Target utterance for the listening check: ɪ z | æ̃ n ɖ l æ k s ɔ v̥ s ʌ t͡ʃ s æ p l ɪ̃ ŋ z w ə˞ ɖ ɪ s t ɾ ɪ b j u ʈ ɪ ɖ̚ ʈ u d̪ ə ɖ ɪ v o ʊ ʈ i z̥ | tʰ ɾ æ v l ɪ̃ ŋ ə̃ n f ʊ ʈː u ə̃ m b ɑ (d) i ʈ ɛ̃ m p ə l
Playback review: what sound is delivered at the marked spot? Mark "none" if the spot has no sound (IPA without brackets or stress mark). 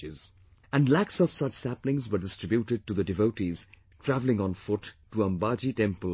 d͡ʒ